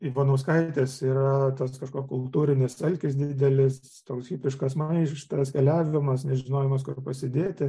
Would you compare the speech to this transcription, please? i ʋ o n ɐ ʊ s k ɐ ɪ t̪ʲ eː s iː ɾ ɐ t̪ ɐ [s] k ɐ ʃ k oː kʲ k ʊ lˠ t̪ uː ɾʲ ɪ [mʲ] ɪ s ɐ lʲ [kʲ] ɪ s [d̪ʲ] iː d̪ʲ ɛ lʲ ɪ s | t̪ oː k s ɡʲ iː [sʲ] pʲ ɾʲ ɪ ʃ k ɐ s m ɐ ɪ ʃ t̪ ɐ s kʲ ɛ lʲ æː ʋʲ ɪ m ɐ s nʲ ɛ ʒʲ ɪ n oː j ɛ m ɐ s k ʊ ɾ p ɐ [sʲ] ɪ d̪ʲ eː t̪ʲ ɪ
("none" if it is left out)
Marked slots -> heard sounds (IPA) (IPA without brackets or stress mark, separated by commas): s, nʲ, kʲ, d̪ʲ, none, sʲ